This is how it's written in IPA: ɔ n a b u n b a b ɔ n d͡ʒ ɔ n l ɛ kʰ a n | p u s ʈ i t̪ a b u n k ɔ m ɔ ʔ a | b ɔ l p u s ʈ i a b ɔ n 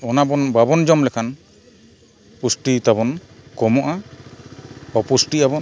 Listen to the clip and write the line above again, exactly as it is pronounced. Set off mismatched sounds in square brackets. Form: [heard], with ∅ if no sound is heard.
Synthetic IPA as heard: ɔ n a b [ɔ] n b a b ɔ n d͡ʒ ɔ [m] l ɛ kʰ a n | p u s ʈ i t̪ a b [ɔ] n k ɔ m ɔ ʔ a | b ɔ [∅] p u s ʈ i a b ɔ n